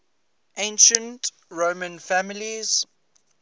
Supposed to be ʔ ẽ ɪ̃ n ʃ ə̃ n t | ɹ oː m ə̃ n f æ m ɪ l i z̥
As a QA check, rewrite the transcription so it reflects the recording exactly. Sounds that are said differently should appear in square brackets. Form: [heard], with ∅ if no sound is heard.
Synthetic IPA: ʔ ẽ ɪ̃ n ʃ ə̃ n t | ɹ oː m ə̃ n f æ m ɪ l i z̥